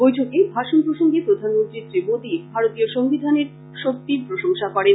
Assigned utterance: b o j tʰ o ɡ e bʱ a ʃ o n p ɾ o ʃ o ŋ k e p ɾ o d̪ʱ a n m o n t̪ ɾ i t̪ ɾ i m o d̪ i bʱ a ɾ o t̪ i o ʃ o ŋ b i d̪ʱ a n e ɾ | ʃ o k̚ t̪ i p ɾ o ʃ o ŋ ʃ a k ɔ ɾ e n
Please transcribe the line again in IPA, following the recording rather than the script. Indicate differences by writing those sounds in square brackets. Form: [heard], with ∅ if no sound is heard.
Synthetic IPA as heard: b o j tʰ o [k] e bʱ a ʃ o n p ɾ o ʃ o ŋ [ɡ] e p ɾ o d̪ʱ a n m o n t̪ ɾ i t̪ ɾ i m o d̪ i bʱ a ɾ o t̪ i o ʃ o ŋ b i d̪ʱ a n e ɾ | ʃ o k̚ t̪ i p ɾ o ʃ o ŋ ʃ a k ɔ ɾ e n